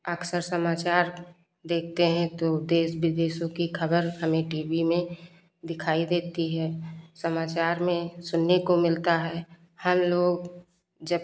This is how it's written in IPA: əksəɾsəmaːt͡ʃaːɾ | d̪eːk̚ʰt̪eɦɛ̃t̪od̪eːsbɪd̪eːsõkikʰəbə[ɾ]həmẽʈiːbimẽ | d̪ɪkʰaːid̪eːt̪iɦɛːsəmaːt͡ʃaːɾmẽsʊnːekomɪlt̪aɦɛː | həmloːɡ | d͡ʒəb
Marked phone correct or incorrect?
correct